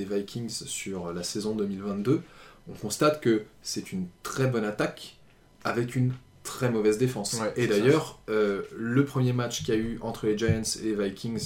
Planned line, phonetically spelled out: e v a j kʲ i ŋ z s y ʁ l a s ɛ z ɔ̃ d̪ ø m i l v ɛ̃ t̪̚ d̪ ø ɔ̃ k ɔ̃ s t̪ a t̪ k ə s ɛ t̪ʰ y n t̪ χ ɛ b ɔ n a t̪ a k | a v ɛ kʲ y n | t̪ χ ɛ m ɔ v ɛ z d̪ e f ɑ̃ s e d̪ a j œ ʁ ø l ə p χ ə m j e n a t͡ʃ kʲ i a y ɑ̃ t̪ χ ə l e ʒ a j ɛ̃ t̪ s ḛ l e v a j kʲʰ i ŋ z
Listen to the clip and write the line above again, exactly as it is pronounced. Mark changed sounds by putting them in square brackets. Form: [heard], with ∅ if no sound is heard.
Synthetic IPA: e v a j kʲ i ŋ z s y ʁ l a s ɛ z ɔ̃ d̪ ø m i l v ɛ̃ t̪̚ d̪ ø ɔ̃ k ɔ̃ s t̪ a t̪ k ə s ɛ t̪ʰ y n t̪ χ ɛ b ɔ n a t̪ a k | a v ɛ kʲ y n | t̪ χ ɛ m ɔ v ɛ z d̪ e f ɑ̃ s e d̪ a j œ ʁ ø l ə p χ ə m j e [m] a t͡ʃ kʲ i a y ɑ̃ t̪ χ ə l e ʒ a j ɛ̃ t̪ s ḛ l e v a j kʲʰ i ŋ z